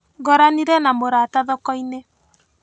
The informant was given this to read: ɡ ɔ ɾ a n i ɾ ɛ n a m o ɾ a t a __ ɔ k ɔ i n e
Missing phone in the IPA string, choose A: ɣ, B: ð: B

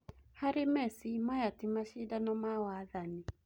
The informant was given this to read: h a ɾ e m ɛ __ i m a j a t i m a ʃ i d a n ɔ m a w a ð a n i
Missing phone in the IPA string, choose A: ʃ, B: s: B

